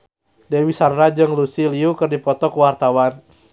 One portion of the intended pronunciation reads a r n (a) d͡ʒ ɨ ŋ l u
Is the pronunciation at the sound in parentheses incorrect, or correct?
correct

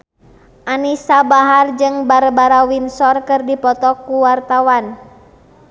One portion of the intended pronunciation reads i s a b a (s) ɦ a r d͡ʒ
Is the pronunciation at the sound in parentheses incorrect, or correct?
incorrect: none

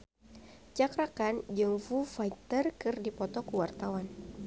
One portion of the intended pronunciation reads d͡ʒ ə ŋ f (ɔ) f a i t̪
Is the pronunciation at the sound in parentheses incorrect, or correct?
incorrect: u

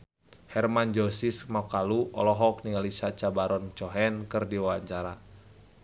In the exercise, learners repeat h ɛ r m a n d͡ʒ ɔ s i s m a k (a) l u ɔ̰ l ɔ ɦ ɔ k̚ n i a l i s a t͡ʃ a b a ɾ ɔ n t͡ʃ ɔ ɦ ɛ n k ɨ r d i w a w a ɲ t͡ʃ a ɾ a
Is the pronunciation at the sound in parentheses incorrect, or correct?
correct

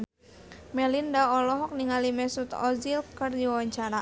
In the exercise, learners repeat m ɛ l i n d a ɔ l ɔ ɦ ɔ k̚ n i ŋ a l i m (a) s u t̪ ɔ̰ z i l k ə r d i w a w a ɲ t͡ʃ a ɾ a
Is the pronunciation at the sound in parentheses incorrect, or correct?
incorrect: ɛ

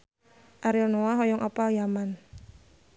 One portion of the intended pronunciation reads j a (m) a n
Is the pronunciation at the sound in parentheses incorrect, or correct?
correct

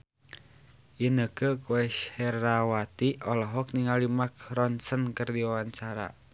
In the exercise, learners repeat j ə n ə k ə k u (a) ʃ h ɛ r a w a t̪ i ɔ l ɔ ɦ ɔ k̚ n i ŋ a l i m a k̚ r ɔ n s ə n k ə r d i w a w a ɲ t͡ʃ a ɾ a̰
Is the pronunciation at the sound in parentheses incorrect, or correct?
incorrect: ɛ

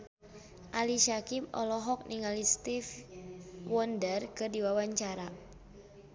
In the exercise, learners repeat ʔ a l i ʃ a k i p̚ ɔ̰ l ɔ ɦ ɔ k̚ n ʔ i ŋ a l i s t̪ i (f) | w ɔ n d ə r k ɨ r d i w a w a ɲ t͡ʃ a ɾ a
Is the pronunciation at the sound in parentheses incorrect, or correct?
correct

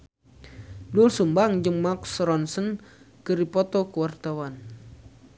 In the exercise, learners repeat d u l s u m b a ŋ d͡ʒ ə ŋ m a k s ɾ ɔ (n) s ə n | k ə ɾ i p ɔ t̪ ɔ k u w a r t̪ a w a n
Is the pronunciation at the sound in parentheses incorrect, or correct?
correct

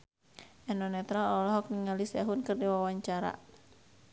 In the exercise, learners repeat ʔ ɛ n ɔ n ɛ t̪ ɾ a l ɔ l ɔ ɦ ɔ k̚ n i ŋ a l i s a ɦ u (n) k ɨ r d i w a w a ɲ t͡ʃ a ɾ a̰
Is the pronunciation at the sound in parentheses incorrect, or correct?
correct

